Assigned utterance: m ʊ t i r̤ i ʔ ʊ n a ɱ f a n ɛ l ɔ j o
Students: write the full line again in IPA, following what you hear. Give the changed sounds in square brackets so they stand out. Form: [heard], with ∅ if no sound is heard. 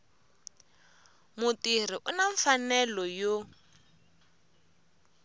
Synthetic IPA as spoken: m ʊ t i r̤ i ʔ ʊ n a ɱ f a n ɛ l ɔ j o

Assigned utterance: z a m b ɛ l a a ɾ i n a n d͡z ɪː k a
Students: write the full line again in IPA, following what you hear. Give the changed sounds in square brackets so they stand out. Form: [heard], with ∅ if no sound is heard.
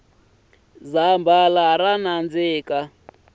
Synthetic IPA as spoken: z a m b [a] l a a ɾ [a] n a n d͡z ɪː k a

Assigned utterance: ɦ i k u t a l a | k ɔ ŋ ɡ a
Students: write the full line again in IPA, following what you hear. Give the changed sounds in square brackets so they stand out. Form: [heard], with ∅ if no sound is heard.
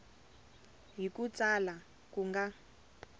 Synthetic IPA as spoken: ɦ i k u [t͡s] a l a | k [u] ŋ ɡ a

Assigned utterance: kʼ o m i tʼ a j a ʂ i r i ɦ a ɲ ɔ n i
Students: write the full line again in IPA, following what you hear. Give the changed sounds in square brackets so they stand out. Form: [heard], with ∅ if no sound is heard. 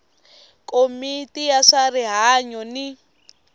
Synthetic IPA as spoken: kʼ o m i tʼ [i] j a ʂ [a] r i ɦ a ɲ ɔ n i

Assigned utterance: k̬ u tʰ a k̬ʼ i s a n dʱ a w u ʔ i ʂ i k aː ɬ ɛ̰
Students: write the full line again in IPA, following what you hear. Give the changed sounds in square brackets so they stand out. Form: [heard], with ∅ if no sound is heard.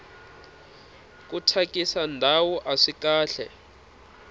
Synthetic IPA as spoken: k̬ u tʰ a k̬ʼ i s a n dʱ a w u ʔ [a] ʂ i k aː ɬ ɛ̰

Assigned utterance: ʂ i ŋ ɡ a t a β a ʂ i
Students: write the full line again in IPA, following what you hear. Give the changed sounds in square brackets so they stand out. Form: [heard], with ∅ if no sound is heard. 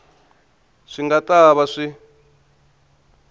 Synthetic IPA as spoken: ʂ i ŋ ɡ a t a β a ʂ i

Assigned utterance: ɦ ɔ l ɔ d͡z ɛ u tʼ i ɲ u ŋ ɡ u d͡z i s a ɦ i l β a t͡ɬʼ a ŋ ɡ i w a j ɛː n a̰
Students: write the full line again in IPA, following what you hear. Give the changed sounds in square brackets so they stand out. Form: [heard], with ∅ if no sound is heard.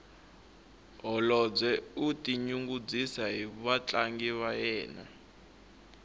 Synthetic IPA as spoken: ɦ ɔ l ɔ d͡z ɛ u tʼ i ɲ u ŋ ɡ u d͡z i s a ɦ i [∅] β a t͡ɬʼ a ŋ ɡ i [β] a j ɛː n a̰

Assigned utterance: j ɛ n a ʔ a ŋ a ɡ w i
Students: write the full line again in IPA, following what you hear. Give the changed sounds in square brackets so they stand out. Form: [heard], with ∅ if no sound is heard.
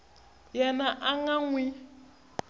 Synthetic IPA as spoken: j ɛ n a ʔ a ŋ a [ŋ] w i

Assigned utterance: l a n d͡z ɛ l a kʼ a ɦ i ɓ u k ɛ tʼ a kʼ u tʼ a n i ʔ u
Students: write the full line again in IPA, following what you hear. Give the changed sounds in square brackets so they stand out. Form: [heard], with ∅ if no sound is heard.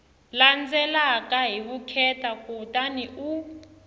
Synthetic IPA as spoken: l a n d͡z ɛ l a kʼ a ɦ i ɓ u [kʰ] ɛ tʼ a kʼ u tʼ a n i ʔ u

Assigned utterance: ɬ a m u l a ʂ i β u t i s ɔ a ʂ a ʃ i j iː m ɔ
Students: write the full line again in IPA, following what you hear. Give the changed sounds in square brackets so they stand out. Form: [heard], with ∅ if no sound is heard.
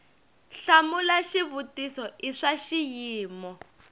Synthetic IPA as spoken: ɬ a m u l a [ʃ] i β u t i s ɔ [i] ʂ a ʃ i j iː m ɔ

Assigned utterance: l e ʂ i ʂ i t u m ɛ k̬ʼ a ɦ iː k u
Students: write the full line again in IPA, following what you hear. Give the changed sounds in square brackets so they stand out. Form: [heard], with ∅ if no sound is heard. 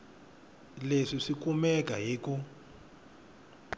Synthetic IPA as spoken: l e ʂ i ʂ i [k] u m ɛ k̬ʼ a ɦ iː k u

